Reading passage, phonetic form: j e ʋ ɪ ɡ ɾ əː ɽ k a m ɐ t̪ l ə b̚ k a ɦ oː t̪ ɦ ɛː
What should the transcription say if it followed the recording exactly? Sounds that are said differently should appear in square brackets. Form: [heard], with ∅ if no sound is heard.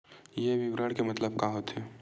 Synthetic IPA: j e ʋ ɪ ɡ ɾ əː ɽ k [e] m ɐ t̪ l ə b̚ k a ɦ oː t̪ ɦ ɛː